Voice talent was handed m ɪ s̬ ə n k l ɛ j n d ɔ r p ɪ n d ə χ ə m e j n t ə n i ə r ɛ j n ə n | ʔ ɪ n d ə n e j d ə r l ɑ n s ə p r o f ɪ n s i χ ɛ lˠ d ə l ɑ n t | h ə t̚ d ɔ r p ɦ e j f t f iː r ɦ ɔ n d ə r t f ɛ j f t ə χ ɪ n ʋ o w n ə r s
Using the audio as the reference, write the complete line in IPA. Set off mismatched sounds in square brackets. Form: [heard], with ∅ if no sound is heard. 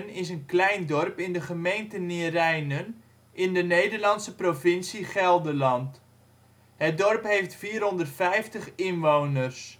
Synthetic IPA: [n] ɪ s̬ ə n k l ɛ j n d ɔ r p ɪ n d ə χ ə m e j n t ə n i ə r ɛ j n ə n | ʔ ɪ n d ə n e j d ə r l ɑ n s ə p r o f ɪ n s i χ ɛ lˠ d ə l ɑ n t | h ə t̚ d ɔ r p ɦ e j f t f iː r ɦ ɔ n d ə r t f ɛ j f t ə χ ɪ n ʋ o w n ə r s